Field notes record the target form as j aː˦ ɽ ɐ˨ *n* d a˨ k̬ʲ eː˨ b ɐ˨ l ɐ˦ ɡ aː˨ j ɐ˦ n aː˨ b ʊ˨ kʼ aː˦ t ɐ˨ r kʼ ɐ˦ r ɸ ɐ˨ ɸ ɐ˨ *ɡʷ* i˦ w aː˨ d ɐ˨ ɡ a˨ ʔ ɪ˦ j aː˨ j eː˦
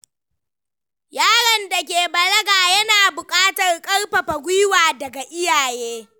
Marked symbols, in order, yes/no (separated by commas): yes, yes